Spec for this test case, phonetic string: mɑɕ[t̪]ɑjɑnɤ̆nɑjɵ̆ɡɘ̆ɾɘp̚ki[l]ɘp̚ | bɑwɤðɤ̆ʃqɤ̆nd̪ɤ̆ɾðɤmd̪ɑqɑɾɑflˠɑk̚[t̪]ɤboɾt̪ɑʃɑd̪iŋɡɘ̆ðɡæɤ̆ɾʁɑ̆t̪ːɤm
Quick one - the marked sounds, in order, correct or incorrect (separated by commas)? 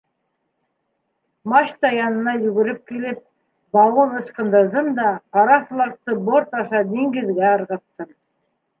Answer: correct, correct, correct